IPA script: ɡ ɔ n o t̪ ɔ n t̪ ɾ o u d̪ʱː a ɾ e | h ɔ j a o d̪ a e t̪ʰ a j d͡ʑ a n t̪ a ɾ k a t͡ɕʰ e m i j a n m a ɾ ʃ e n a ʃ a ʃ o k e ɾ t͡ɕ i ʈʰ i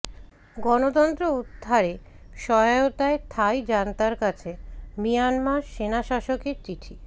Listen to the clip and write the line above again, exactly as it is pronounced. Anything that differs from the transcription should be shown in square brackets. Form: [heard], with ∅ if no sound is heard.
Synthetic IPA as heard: ɡ ɔ n o t̪ ɔ n t̪ ɾ o u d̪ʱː a ɾ e | [ʃ] ɔ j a o [t̪] a e t̪ʰ a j d͡ʑ a n t̪ a ɾ k a t͡ɕʰ e m i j a n m a ɾ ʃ e n a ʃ a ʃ o k e ɾ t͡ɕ i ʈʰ i